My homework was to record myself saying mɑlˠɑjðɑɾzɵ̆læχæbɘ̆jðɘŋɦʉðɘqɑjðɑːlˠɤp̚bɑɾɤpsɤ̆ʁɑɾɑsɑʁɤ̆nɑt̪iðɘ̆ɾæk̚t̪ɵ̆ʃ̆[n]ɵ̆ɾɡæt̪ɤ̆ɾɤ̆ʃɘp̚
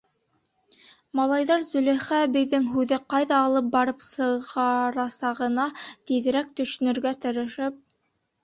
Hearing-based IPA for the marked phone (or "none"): n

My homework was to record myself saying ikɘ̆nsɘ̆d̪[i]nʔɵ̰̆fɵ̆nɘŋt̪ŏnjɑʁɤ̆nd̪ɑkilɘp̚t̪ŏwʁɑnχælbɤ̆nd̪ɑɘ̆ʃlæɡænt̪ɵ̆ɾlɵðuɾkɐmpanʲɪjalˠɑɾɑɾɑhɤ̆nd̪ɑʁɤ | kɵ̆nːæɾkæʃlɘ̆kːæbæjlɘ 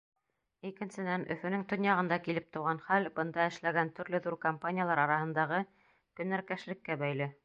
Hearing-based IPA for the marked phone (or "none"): æ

